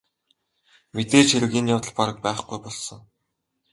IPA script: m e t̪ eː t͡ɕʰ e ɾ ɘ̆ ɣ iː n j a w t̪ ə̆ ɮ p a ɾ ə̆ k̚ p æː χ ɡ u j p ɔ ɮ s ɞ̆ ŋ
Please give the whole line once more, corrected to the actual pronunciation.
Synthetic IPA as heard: m e t̪ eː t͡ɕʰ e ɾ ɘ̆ ɣ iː n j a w t̪ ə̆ ɮ p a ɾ ə̆ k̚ p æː χ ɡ u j p ɔ ɮ s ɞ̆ ŋ